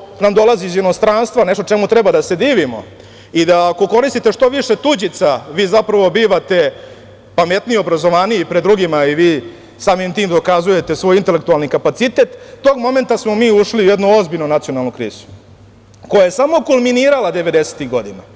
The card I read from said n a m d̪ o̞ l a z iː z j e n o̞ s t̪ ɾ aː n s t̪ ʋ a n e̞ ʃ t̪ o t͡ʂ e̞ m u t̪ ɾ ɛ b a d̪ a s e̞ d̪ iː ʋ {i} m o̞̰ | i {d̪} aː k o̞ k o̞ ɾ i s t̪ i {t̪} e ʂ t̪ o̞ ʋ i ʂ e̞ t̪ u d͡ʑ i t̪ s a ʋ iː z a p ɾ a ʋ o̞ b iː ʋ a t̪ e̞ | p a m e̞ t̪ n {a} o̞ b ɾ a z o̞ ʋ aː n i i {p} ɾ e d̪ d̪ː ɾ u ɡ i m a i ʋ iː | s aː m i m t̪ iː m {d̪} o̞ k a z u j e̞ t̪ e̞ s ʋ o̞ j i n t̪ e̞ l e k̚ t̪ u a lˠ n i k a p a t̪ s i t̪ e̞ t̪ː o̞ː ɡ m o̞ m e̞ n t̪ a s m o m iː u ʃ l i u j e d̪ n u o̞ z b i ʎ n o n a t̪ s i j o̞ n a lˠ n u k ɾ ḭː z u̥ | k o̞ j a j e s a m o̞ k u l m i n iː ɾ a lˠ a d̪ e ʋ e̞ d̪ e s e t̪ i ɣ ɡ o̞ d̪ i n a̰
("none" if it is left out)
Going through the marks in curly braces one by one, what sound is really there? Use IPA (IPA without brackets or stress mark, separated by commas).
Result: i, d̪, t̪, i, p, d̪